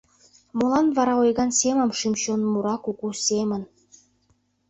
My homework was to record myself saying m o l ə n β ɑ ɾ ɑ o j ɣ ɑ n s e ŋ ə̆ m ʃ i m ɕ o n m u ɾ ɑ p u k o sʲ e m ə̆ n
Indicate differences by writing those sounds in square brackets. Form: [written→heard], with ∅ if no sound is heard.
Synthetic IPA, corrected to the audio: m o l [ə→ɑ] n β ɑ ɾ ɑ o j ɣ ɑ n s e [ŋ→m] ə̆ m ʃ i m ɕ o n m u ɾ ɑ [p→k] u k [o→u] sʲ e m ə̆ n